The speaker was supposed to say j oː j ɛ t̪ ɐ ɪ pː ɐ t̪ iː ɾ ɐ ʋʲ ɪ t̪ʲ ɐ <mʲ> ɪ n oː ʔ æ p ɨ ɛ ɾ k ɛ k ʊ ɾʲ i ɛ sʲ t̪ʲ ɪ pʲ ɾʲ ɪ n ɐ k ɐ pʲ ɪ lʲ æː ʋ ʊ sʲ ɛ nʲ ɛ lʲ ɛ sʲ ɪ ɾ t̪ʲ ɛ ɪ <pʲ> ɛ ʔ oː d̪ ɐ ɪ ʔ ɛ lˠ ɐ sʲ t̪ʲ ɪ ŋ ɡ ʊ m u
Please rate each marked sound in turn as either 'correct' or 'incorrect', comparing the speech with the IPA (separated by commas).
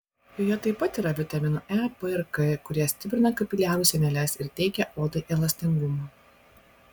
correct, incorrect